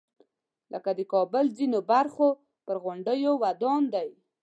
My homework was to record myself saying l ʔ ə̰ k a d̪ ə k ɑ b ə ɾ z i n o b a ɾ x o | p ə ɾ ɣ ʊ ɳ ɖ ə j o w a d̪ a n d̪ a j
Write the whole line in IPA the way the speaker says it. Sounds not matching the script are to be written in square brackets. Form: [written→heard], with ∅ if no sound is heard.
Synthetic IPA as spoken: l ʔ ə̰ k a d̪ ə k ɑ b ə [ɾ→l] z i n o b a ɾ x o | p ə ɾ ɣ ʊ ɳ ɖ ə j o w a d̪ [a→ɑ] n d̪ a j